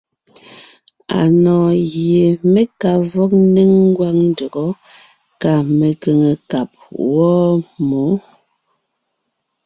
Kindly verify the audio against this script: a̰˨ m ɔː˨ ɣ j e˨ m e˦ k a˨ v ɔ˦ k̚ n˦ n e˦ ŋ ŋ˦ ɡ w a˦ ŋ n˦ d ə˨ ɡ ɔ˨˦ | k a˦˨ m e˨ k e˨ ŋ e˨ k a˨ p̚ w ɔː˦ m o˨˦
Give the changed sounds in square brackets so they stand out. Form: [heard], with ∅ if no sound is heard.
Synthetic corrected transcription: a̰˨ [n] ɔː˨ ɣ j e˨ m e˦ k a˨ v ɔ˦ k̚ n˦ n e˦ ŋ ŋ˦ ɡ w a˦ ŋ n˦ d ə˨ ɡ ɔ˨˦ | k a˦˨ m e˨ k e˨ ŋ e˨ k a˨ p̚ w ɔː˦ m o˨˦